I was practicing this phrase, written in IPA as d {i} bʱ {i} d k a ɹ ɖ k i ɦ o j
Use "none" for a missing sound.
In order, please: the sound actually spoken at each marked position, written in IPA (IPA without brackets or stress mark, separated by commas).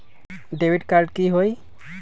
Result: e, i